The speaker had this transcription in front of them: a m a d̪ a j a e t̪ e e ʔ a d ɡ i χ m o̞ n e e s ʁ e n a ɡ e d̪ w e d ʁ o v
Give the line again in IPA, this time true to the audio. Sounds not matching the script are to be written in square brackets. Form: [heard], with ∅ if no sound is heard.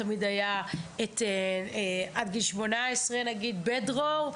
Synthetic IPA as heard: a m [i] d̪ a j a e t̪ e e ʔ a d ɡ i [ʃ] m o̞ n [a] e s ʁ e n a ɡ [i] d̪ [b] e d ʁ o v